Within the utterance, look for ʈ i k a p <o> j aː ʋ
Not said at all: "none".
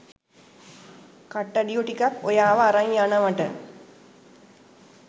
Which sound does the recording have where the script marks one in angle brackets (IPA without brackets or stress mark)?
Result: o